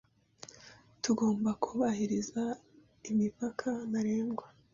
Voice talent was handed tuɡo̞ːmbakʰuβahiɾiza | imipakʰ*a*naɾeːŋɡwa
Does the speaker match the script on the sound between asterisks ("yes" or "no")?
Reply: yes